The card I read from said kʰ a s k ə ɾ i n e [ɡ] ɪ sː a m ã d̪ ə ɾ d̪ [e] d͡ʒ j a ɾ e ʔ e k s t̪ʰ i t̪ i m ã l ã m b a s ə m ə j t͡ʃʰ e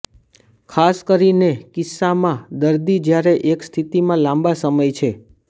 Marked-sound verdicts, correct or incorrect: incorrect: k, incorrect: i

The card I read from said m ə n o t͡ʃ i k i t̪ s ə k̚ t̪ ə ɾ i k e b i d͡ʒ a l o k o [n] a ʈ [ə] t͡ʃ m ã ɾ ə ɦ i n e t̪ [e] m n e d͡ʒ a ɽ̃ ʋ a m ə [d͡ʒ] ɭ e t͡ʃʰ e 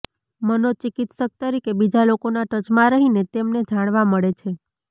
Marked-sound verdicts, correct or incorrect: correct, correct, correct, incorrect: none

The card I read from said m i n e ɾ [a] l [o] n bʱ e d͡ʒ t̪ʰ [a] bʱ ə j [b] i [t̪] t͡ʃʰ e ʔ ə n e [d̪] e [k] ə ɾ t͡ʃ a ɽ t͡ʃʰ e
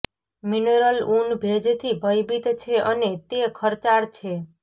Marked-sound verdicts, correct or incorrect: incorrect: ə, incorrect: u, incorrect: i, correct, correct, incorrect: t̪, incorrect: kʰ

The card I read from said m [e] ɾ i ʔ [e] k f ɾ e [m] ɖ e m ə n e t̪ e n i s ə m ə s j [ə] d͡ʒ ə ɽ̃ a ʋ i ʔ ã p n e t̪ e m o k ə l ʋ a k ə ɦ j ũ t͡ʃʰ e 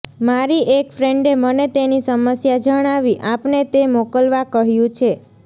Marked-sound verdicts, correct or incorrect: incorrect: a, correct, incorrect: ɳ, incorrect: a

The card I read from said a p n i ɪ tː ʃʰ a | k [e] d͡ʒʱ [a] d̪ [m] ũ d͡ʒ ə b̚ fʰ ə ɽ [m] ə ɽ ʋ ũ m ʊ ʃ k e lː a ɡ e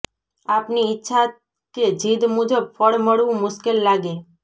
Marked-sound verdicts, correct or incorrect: correct, incorrect: i, correct, correct

